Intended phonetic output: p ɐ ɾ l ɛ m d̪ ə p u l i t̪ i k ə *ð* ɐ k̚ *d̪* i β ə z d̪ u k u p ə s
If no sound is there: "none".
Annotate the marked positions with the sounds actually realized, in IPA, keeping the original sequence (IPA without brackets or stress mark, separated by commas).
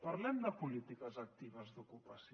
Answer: z, t̪